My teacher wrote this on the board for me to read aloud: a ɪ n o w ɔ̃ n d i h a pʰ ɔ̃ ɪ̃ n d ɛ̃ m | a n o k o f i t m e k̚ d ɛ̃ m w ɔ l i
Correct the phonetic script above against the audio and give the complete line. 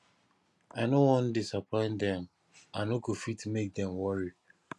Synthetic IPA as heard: a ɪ n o w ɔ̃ n d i s a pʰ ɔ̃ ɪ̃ n d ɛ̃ m | a n o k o f i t m e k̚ d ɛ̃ m w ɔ ɹ i